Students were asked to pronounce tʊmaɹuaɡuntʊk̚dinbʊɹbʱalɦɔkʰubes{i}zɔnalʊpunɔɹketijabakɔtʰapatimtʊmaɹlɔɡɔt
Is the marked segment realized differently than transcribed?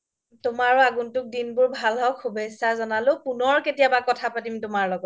yes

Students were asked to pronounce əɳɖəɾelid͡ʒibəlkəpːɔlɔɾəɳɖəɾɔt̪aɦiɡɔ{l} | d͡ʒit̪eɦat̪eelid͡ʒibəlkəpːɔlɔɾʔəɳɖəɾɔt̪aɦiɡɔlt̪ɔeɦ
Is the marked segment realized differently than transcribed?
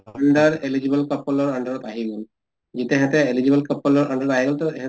no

